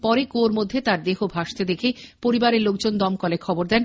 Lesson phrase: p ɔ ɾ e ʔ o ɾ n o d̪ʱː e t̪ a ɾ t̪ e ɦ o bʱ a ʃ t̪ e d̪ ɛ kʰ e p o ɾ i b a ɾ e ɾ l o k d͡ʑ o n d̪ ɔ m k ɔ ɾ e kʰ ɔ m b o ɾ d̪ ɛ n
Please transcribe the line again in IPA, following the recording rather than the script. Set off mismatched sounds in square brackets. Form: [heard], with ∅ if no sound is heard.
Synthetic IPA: p ɔ ɾ e [k] o ɾ [m] o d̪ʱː e t̪ a ɾ [d̪] e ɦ o bʱ a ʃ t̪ e d̪ [e] kʰ e p o ɾ i b a ɾ e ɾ l o k d͡ʑ o n d̪ ɔ m k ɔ [l] e kʰ ɔ [∅] b o ɾ d̪ ɛ n